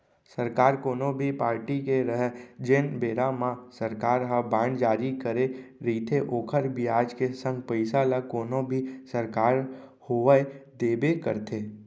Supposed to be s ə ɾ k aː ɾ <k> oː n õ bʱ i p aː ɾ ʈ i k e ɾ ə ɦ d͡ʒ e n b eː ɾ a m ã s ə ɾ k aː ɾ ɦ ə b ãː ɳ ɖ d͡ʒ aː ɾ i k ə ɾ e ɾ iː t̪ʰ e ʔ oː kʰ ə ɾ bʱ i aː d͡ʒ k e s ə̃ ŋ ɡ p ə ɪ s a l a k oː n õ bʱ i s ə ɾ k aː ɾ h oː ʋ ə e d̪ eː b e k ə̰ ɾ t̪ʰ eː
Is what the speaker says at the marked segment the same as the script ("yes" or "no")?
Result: yes